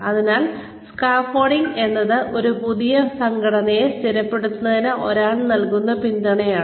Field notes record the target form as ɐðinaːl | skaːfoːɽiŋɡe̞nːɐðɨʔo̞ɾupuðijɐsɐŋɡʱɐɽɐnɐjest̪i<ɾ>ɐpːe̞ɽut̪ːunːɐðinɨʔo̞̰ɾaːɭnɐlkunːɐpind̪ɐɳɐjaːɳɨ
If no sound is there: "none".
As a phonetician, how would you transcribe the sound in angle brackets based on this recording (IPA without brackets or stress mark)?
ɾ